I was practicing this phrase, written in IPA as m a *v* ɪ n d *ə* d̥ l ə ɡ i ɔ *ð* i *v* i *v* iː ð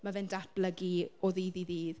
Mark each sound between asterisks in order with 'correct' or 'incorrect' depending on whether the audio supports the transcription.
correct, incorrect, correct, incorrect, incorrect

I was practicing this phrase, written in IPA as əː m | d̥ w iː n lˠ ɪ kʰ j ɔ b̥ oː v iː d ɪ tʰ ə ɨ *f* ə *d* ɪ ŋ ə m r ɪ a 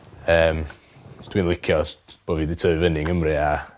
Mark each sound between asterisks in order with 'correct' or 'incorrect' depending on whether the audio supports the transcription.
incorrect, incorrect

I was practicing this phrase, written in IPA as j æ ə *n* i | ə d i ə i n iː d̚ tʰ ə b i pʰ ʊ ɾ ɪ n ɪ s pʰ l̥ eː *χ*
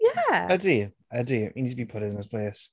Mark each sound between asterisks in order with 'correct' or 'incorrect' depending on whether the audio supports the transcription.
incorrect, incorrect

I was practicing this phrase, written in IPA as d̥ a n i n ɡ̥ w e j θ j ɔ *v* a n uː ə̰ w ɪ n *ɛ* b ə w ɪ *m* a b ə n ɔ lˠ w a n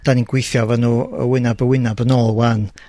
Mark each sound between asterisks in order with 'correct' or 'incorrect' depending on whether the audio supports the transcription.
correct, incorrect, incorrect

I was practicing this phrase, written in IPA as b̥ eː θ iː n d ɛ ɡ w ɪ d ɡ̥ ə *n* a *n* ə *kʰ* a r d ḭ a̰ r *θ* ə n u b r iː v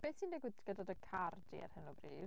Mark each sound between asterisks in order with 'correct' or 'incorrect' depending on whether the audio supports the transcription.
incorrect, incorrect, correct, incorrect

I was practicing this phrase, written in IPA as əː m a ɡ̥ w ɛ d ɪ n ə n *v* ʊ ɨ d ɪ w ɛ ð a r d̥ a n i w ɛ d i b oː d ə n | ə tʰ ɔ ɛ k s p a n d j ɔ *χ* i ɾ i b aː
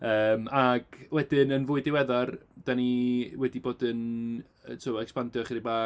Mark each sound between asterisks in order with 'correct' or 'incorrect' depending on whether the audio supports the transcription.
correct, correct

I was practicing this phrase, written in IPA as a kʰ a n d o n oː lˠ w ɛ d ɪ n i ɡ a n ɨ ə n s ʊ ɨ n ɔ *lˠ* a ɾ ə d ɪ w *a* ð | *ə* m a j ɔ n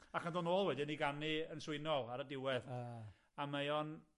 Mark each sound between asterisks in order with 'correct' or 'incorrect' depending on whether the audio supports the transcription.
correct, incorrect, incorrect

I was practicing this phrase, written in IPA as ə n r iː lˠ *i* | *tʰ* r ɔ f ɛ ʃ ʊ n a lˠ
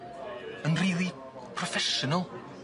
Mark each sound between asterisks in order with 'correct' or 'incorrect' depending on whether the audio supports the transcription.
correct, incorrect

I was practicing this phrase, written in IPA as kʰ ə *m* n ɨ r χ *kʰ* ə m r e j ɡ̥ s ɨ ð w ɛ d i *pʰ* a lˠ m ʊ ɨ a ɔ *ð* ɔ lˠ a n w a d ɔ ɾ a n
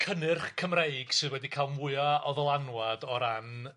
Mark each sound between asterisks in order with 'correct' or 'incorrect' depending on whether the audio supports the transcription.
incorrect, correct, incorrect, correct

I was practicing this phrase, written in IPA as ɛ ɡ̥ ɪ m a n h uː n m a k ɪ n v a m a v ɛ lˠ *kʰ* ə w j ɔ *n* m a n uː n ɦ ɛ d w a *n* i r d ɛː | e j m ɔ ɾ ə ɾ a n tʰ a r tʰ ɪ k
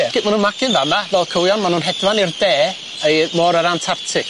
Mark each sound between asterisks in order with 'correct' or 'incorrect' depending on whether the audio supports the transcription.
correct, correct, correct

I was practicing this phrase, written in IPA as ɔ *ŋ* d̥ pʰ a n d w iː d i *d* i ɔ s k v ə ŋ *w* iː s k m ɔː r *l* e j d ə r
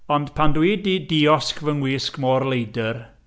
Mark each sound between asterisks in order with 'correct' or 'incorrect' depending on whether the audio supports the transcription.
incorrect, correct, correct, correct

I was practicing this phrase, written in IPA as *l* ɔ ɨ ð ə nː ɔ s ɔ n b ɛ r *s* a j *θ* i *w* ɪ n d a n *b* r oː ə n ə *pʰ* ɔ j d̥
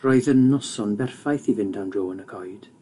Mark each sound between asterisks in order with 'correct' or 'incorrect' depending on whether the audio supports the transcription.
incorrect, incorrect, correct, incorrect, incorrect, incorrect

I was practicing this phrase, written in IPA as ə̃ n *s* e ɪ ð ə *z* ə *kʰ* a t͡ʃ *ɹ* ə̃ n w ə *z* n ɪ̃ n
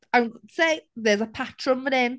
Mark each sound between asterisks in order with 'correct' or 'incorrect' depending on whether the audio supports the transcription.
correct, correct, incorrect, correct, incorrect

